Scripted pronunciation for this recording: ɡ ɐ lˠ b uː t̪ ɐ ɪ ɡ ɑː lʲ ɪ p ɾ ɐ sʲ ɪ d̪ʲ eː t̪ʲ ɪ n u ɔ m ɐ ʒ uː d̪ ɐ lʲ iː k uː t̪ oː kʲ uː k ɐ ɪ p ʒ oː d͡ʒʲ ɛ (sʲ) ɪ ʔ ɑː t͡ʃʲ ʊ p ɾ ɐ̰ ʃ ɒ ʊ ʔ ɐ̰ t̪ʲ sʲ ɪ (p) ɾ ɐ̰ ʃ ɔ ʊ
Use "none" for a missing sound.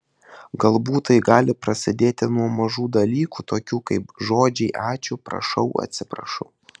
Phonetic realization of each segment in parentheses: none, p

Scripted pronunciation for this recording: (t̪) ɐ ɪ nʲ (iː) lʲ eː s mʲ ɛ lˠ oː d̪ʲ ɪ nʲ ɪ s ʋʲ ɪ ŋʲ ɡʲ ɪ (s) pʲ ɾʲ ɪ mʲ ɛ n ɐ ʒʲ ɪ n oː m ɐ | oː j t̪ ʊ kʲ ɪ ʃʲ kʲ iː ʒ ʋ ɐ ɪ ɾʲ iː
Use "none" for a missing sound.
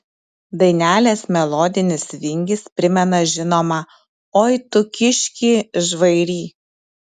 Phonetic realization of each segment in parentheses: d̪, æː, s

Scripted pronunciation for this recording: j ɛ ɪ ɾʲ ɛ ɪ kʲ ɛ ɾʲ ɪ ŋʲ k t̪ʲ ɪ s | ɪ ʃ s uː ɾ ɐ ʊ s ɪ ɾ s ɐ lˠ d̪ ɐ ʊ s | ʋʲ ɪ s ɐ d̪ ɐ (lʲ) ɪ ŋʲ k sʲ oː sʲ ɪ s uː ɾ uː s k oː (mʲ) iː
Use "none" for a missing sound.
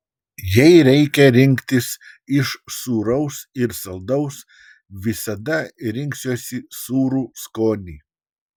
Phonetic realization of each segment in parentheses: ɾʲ, nʲ

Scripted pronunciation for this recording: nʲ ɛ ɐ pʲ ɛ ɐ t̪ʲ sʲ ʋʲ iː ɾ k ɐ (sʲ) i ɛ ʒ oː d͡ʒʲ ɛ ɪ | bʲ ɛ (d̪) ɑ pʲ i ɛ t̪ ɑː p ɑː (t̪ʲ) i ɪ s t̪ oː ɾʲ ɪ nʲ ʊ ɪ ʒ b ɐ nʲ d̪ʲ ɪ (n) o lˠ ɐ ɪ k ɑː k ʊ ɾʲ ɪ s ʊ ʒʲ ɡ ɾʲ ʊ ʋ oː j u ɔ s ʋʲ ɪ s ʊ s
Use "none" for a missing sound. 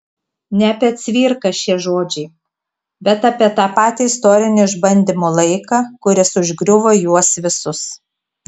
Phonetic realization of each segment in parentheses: ʃʲ, t̪, t̪ʲ, m

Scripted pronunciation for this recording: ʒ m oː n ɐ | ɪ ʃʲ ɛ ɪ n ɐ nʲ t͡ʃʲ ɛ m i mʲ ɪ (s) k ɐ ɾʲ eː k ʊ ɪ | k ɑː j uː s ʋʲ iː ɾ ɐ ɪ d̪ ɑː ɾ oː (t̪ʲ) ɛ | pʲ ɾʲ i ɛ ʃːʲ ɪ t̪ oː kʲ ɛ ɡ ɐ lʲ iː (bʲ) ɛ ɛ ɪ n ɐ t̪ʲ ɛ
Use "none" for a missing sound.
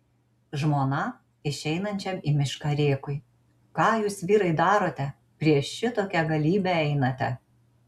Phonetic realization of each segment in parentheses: ʃ, t̪ʲ, bʲ

